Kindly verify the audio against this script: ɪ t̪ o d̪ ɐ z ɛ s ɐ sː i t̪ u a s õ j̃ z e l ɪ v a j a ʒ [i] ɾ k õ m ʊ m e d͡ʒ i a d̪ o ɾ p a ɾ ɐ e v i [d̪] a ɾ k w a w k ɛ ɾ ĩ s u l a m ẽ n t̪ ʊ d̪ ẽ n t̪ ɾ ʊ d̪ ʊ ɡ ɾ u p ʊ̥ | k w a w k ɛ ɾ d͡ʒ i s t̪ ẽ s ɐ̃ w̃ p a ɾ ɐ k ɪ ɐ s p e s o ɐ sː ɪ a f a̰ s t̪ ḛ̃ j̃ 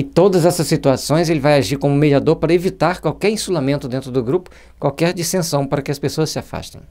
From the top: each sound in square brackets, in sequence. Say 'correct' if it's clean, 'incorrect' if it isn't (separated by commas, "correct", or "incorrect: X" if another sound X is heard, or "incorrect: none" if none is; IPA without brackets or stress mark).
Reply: correct, incorrect: t̪